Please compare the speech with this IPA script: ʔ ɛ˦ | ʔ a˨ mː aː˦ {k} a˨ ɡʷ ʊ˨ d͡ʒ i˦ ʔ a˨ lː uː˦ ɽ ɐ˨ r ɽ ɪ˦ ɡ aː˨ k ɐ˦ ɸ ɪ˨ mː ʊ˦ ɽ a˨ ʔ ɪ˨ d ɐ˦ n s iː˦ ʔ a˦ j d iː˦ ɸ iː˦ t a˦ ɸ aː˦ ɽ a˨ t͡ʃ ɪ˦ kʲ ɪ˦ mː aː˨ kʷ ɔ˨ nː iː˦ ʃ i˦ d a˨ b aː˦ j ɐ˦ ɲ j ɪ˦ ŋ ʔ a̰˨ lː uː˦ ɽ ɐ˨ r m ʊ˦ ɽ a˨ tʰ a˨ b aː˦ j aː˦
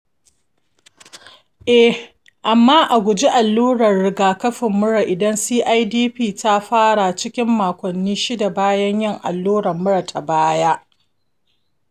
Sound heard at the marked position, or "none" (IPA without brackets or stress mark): ʔ